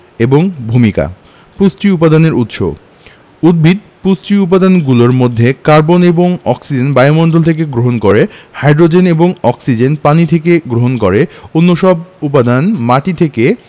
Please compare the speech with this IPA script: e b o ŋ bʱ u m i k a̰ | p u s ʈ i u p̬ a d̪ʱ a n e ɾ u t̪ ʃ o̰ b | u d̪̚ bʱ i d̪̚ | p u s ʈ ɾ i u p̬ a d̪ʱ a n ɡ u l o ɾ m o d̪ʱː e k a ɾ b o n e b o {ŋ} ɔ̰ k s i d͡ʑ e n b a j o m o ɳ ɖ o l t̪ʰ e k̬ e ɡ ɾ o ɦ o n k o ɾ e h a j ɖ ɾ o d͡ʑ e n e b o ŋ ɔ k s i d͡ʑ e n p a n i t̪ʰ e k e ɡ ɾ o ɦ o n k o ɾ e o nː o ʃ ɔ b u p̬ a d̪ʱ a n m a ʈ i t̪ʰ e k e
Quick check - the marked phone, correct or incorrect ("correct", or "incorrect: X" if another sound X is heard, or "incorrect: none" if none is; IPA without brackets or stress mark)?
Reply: correct